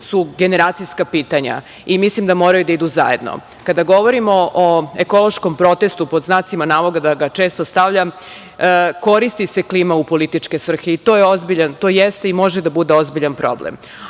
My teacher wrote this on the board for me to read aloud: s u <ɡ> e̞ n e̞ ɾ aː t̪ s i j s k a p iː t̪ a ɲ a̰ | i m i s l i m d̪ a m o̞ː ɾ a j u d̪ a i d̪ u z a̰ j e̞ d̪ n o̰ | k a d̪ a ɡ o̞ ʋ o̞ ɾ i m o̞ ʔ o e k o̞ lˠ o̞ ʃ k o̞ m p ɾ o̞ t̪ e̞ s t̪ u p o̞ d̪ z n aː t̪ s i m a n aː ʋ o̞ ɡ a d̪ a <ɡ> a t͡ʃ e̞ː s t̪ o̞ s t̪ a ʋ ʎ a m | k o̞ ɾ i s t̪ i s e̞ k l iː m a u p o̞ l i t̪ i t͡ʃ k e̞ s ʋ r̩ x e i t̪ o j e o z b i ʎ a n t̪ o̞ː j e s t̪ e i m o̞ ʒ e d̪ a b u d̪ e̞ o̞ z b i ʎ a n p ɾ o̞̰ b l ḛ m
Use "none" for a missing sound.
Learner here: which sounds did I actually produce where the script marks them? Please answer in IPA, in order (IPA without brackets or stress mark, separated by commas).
ɡ, ɡ